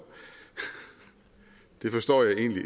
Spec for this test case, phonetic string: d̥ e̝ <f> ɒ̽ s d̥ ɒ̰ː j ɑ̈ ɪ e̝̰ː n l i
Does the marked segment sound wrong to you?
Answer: no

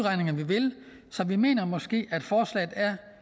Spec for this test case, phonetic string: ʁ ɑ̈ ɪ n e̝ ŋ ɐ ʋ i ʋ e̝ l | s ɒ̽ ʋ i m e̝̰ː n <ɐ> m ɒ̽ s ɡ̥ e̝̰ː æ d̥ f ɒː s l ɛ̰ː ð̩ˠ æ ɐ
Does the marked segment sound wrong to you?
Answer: no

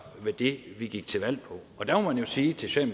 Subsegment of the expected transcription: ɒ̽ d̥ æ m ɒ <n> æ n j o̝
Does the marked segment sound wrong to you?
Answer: yes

